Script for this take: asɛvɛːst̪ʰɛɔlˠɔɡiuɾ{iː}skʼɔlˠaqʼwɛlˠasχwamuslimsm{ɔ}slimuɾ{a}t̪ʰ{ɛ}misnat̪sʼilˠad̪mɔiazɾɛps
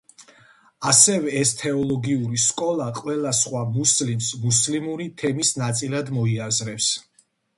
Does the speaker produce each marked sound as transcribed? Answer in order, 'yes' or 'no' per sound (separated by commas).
no, no, no, yes